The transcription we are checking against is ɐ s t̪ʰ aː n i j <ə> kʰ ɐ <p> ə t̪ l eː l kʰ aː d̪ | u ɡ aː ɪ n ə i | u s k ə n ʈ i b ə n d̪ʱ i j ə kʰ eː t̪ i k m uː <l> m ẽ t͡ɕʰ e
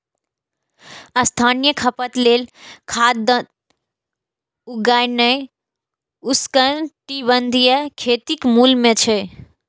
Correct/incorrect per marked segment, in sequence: correct, correct, correct

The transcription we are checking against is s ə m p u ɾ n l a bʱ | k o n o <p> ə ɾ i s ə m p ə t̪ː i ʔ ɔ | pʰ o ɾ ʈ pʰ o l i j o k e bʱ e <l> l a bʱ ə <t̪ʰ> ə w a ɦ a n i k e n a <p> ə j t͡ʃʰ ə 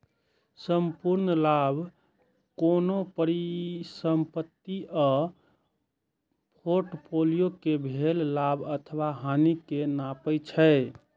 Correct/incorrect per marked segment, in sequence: correct, correct, correct, correct

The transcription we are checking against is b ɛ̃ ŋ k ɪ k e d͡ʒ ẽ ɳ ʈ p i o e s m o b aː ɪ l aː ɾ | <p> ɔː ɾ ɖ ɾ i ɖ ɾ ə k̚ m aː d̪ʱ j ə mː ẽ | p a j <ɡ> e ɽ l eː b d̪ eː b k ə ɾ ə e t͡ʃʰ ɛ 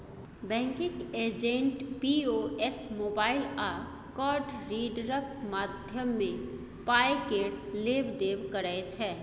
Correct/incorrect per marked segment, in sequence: incorrect: k, incorrect: k

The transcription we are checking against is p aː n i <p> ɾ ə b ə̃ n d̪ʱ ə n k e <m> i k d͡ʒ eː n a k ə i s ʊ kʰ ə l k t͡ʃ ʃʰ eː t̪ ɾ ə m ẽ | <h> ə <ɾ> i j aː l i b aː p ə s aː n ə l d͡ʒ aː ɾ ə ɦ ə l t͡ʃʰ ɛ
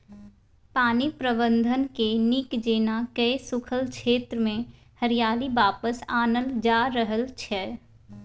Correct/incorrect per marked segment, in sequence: correct, incorrect: n, correct, correct

